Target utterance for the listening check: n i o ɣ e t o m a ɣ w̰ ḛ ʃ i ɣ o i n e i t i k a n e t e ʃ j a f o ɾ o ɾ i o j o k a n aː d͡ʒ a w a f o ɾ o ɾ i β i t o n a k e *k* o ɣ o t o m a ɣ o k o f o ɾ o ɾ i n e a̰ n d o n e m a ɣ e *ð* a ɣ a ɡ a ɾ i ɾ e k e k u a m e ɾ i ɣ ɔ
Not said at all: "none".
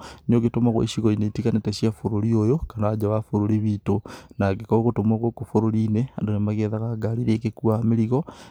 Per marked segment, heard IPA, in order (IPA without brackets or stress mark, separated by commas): k, ð